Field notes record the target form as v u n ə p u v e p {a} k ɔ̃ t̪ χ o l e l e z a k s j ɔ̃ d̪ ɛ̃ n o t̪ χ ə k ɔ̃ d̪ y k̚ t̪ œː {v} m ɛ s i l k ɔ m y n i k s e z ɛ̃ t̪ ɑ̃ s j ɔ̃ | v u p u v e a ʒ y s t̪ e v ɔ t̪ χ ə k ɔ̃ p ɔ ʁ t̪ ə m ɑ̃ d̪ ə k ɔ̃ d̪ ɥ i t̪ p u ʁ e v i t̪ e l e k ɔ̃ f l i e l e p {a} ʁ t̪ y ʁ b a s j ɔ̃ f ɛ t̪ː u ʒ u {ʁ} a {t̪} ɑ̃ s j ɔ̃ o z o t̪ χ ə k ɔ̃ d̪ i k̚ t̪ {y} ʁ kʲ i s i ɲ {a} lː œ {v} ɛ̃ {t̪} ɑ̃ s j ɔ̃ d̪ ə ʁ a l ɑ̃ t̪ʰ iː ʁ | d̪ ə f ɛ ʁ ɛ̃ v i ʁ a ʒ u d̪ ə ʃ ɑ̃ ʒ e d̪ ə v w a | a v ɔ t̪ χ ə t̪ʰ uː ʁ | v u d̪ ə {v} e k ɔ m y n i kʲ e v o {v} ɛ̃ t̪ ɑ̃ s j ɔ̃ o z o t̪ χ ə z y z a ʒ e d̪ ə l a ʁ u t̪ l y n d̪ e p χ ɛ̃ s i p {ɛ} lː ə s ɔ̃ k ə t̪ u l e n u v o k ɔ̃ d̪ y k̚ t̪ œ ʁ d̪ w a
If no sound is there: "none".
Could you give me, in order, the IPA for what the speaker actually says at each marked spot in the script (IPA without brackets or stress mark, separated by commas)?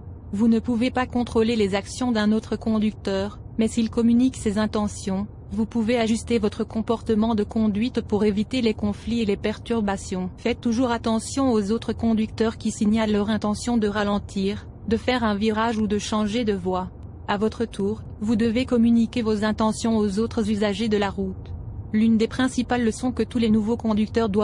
a, ʁ, ɛ, ʁ, t̪, œ, a, ʁ, t̪, v, z, a